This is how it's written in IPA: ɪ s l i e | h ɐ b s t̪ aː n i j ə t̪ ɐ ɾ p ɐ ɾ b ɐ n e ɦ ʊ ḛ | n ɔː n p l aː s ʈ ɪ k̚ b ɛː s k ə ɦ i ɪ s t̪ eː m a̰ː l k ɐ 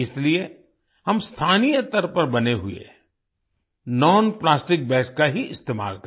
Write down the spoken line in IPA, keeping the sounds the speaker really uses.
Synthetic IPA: ɪ s l i e | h ɐ m s t̪ʰ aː n i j ə t̪ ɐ ɾ p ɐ ɾ b ɐ n e ɦ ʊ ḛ | n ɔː n p l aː s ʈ ɪ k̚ b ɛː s k a ɦ i ɪ s t̪ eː m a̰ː l k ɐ